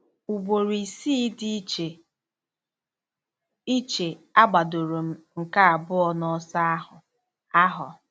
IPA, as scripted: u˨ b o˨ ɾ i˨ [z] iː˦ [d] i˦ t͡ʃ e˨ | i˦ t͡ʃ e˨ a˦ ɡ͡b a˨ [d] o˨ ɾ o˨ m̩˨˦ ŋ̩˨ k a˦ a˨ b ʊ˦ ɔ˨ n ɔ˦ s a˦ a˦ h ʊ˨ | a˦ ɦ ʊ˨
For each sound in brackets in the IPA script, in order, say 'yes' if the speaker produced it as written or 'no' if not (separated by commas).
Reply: no, yes, yes